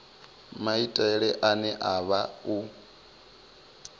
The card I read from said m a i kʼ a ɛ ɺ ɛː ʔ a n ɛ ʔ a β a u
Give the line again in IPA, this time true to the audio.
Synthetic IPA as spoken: m a i tʼ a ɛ ɺ ɛ ʔ a n ɛ ʔ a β a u